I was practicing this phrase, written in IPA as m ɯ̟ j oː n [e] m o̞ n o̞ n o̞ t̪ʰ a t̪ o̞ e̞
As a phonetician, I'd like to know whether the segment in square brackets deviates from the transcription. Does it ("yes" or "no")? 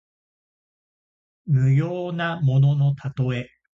yes